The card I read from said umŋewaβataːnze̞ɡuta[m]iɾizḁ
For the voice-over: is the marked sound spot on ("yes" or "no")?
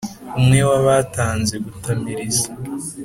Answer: yes